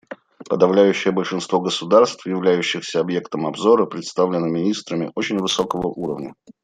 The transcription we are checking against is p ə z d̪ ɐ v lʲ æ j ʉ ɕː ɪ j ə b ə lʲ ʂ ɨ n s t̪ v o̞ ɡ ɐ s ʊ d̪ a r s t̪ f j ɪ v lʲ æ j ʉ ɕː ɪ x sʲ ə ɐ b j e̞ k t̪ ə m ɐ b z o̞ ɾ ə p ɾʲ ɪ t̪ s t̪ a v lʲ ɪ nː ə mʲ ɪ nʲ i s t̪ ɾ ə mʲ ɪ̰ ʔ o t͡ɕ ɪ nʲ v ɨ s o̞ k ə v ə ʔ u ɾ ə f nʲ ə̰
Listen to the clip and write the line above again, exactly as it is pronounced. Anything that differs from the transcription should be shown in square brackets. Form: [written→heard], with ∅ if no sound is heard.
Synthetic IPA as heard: p ə [z→∅] d̪ ɐ v lʲ æ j ʉ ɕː ɪ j ə b ə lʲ ʂ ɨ n s t̪ v o̞ ɡ [ɐ→ə] s ʊ d̪ a r s t̪ f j ɪ v lʲ æ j ʉ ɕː ɪ x sʲ ə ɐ b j e̞ k t̪ ə m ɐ b z o̞ ɾ ə p ɾʲ ɪ t̪ s t̪ a v lʲ ɪ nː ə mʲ ɪ nʲ i s t̪ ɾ ə mʲ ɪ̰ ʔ o t͡ɕ ɪ nʲ v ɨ s o̞ k ə v ə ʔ u ɾ ə [f→v] nʲ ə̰

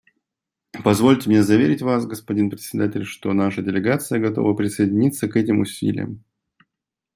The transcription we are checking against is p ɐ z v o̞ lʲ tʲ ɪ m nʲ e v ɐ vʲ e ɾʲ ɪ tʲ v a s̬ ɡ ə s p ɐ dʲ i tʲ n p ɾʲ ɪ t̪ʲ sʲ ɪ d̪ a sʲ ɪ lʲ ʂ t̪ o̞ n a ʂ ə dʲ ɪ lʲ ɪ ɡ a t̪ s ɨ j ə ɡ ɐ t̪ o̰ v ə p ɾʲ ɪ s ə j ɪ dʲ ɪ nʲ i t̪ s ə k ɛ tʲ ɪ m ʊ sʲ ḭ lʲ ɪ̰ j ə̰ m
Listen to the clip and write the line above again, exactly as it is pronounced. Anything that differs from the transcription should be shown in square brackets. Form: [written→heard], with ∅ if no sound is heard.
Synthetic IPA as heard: p ɐ z v o̞ lʲ tʲ ɪ m nʲ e [v→z] ɐ vʲ e ɾʲ ɪ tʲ v a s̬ ɡ ə s p ɐ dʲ i [tʲ→∅] n p ɾʲ ɪ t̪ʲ sʲ ɪ d̪ a [sʲ→tʲ] ɪ lʲ ʂ t̪ o̞ n a ʂ ə dʲ ɪ lʲ ɪ ɡ a t̪ s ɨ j ə ɡ ɐ t̪ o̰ v ə p ɾʲ ɪ s ə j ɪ dʲ ɪ nʲ i t̪ s ə k ɛ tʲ ɪ m ʊ sʲ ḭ lʲ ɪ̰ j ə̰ m

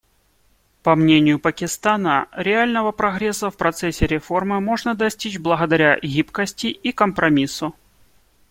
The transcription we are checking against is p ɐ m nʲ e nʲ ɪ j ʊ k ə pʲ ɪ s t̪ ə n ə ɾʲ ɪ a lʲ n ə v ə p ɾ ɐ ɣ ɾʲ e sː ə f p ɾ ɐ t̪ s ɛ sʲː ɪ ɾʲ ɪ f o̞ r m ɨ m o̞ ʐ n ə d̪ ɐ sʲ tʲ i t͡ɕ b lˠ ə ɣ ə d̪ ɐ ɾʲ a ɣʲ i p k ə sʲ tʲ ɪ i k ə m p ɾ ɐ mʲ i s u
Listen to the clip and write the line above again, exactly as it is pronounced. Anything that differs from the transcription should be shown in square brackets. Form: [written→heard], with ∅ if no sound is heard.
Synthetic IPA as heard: p ɐ m nʲ e nʲ ɪ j ʊ [k→p] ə [pʲ→kʲ] ɪ s t̪ [ə→a] n ə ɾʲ ɪ a lʲ n ə v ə p ɾ ɐ ɣ ɾʲ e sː ə f p ɾ ɐ t̪ s ɛ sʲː ɪ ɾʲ ɪ f o̞ r m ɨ m o̞ ʐ n ə d̪ ɐ sʲ tʲ i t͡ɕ b lˠ ə ɣ ə d̪ ɐ ɾʲ a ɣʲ i p k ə sʲ tʲ ɪ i k ə m p ɾ ɐ mʲ i s [u→ʊ]

